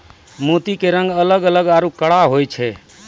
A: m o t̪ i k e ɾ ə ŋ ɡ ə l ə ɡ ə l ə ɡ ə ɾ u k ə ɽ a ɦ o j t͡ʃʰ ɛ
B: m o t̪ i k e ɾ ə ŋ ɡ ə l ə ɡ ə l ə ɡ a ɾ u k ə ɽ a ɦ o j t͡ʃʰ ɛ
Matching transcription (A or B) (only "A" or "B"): B